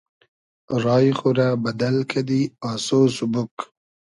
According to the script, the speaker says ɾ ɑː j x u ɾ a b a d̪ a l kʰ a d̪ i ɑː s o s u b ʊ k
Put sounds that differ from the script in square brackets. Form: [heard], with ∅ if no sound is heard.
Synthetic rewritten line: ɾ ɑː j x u ɾ a b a d̪ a l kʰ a d̪ i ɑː s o s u b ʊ k